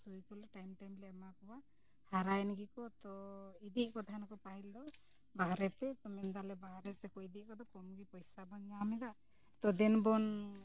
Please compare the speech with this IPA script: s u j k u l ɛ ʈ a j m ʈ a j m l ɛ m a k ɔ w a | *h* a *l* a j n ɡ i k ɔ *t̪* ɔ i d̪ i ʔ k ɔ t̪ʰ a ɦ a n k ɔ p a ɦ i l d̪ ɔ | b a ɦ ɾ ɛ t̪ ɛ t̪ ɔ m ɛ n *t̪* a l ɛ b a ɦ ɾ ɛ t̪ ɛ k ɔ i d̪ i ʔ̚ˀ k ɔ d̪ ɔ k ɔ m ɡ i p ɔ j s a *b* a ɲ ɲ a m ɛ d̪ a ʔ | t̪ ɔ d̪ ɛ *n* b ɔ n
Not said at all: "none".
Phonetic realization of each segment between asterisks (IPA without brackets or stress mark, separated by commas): h, ɾ, t̪, d̪, b, n